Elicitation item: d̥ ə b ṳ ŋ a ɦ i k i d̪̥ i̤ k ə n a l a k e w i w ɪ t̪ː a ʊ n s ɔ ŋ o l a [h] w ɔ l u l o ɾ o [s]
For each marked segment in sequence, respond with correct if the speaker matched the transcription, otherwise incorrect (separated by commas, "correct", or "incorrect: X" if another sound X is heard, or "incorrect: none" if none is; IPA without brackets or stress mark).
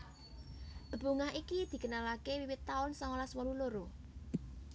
incorrect: s, incorrect: none